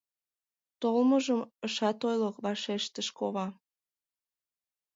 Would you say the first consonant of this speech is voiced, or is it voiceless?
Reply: voiceless